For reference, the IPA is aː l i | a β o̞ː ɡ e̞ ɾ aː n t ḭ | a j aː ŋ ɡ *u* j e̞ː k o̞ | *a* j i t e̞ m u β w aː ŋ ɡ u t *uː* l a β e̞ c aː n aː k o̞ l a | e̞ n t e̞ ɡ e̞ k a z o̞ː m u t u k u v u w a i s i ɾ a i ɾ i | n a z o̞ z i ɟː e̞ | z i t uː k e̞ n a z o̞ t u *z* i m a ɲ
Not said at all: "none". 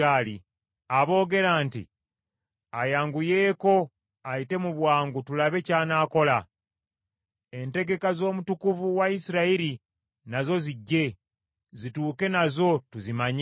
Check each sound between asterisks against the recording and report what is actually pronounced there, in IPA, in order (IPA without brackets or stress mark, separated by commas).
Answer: u, a, u, z